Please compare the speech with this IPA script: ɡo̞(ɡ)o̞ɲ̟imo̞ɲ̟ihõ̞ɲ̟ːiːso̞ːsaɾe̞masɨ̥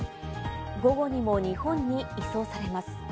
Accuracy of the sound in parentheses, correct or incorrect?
correct